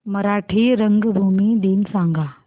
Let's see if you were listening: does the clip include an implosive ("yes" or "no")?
yes